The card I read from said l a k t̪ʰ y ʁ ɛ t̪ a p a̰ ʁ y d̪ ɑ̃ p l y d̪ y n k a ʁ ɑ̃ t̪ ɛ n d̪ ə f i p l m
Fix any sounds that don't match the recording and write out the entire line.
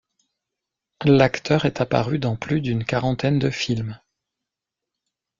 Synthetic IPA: l a k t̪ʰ œ ʁ ɛ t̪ a p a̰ ʁ y d̪ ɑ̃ p l y d̪ y n k a ʁ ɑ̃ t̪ ɛ n d̪ ə f i l m